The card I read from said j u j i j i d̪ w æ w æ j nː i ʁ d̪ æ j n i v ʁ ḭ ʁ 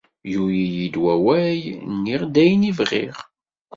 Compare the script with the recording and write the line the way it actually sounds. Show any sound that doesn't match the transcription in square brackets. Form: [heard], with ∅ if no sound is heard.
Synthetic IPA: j u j i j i d̪ w æ w æ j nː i ʁ d̪ æ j n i v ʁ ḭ ʁ